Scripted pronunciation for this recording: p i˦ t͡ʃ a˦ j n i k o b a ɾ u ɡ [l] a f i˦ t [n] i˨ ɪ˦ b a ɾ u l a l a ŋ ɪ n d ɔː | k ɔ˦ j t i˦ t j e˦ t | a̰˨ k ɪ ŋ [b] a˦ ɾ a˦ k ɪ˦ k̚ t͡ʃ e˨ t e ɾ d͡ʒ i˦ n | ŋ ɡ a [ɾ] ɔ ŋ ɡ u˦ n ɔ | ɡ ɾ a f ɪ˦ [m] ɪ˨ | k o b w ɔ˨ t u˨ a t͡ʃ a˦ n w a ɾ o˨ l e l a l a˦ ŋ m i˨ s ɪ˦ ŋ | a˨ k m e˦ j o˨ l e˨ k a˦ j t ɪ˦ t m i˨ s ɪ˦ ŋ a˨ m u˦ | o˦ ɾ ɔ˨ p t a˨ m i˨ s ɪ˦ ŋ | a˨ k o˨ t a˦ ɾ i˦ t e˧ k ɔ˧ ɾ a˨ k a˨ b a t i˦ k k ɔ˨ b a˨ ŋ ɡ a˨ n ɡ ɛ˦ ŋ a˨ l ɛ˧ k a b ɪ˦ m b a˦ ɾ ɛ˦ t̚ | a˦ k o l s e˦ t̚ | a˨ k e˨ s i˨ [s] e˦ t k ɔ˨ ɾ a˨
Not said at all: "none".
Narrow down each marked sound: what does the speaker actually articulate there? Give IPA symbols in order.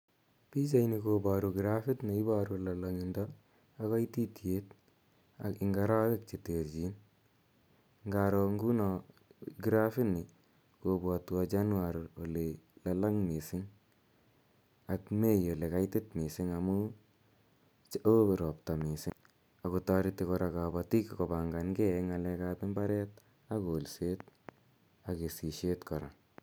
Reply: ɾ, n, ɡ, ɾ, n, ʃ

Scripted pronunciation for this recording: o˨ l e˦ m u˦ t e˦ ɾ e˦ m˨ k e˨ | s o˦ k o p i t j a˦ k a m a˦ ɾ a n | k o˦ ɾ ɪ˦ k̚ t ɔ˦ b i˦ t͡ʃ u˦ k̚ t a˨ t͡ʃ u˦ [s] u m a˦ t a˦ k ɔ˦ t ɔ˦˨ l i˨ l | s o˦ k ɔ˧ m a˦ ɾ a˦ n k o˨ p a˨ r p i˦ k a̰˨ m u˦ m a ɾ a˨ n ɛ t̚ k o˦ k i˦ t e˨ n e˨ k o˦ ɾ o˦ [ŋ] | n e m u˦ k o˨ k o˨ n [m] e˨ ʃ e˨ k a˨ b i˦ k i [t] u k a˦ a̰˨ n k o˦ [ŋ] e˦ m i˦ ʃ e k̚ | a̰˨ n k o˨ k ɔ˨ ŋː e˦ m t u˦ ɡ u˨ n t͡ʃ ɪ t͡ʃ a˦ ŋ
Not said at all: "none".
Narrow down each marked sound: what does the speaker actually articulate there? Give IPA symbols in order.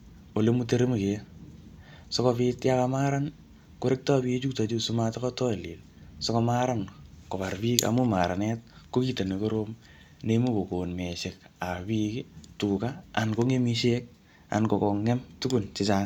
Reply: s, m, m, t, ŋ

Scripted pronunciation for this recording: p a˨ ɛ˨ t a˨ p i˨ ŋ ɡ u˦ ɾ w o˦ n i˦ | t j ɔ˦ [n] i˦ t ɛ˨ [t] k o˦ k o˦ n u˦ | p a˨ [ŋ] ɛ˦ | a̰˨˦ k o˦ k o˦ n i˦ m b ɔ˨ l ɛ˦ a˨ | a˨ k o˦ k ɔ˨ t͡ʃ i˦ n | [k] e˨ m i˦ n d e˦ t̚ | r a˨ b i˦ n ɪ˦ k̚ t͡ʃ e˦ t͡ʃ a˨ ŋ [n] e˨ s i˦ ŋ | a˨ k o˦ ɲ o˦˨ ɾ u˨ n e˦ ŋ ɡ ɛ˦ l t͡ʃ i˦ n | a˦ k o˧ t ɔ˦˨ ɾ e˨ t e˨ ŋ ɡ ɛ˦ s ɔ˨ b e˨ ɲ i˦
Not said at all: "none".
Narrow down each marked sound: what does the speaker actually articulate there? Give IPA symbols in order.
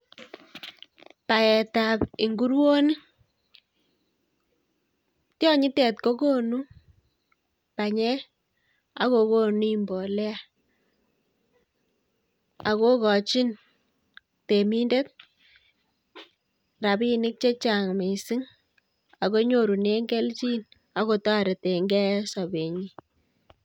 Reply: ɲ, t, ɲ, t, m

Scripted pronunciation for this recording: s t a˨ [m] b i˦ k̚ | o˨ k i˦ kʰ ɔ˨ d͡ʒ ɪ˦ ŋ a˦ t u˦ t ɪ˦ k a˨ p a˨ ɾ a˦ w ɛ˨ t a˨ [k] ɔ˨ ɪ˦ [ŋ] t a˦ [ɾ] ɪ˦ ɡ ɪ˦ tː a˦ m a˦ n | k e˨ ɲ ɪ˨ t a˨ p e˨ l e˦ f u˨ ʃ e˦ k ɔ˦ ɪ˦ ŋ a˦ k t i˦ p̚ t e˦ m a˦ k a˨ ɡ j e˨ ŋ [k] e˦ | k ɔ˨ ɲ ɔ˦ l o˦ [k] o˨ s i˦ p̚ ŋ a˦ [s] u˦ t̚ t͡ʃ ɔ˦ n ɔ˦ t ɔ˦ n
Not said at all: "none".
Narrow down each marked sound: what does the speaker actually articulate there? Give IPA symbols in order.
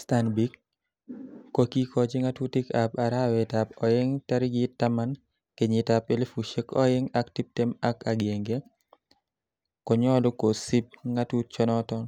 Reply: n, p, ŋ, ɾ, ɡ, k, t

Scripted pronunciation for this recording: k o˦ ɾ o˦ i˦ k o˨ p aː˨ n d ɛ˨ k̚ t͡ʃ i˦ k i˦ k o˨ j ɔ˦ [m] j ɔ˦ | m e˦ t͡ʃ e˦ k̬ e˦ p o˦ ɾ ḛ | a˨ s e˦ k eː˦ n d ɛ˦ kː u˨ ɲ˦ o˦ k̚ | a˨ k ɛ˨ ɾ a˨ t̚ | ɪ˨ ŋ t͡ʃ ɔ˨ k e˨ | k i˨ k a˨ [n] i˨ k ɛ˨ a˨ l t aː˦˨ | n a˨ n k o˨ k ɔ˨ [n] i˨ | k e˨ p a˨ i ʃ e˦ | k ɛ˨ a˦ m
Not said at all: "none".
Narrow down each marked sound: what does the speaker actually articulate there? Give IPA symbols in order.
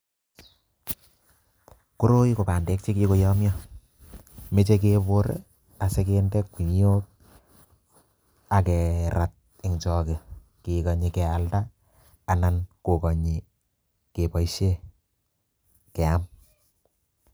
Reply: m, ɲ, ɲ

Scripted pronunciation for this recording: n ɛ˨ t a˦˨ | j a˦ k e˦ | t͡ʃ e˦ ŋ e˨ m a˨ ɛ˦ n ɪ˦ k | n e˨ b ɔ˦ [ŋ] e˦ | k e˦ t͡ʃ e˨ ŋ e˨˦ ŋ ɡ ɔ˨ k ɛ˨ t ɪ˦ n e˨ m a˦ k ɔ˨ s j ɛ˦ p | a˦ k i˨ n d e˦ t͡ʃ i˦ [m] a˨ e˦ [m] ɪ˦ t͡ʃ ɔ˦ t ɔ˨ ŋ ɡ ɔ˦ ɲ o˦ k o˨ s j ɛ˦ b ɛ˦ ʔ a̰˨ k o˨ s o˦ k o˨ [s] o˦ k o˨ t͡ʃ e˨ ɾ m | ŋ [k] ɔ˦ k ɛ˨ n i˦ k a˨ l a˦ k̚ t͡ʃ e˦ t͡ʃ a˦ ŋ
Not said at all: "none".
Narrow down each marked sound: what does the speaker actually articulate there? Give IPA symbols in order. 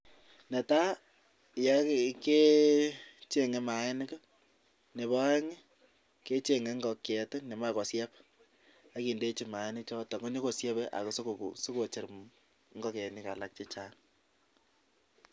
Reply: ŋ, m, n, s, ɡ

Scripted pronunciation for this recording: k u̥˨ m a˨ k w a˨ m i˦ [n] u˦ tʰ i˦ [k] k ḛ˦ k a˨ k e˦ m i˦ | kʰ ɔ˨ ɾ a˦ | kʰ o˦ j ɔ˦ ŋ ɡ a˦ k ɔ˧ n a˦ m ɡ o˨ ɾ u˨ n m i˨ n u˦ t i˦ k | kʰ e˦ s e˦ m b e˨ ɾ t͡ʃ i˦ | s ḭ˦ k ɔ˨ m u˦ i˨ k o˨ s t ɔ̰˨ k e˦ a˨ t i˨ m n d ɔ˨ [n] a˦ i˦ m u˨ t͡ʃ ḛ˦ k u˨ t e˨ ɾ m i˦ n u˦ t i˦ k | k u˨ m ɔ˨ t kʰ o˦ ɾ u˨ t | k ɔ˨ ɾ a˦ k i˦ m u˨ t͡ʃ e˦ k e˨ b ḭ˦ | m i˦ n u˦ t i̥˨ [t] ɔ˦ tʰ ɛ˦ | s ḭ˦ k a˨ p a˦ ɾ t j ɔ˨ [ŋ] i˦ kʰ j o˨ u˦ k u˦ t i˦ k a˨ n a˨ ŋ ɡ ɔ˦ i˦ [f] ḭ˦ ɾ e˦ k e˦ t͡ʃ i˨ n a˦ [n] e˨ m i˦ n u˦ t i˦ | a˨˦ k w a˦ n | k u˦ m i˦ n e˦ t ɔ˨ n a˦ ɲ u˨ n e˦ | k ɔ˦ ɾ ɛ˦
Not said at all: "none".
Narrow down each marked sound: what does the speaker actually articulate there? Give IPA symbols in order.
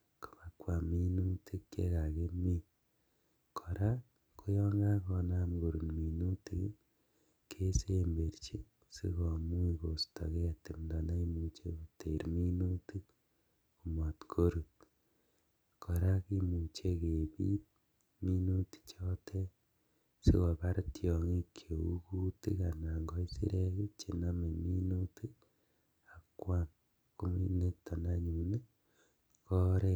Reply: n, k, n, t͡ʃ, ŋ, s, m

